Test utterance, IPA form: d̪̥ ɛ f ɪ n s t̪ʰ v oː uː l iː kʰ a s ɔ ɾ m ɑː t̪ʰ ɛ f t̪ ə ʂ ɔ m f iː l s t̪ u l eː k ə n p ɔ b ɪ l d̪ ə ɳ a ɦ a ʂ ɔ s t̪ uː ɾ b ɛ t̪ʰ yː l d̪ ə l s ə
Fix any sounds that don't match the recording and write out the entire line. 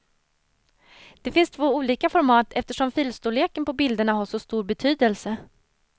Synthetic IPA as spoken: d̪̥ ɛ f ɪ n s t̪ʰ v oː uː l iː k a f ɔ ɾ m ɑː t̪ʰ ɛ f t̪ ə ʂ ɔ m f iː l s t̪ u l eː k ə n p ɔ b ɪ l d̪ ə ɳ a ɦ a ʂ ɔ s t̪ uː ɾ b ɛ t̪ʰ yː d̪ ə l s ə